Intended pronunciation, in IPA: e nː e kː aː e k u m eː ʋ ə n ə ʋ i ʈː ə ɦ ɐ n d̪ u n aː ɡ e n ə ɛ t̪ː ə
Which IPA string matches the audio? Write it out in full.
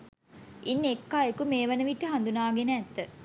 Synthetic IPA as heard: i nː e kː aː e k u m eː ʋ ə n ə ʋ i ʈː ə ɦ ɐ n d̪ u n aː ɡ e n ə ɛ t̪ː ə